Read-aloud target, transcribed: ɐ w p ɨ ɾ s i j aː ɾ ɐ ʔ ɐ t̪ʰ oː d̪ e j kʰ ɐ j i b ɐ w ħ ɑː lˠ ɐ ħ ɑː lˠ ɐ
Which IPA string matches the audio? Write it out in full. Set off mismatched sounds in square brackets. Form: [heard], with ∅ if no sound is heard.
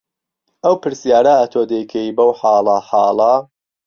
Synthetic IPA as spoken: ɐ w p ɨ ɾ s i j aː ɾ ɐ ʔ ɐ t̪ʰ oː d̪ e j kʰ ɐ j i b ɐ w ħ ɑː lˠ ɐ ħ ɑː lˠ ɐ